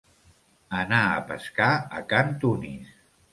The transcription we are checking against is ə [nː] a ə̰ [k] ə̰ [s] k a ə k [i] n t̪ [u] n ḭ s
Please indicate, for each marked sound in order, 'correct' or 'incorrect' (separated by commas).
incorrect, incorrect, correct, incorrect, correct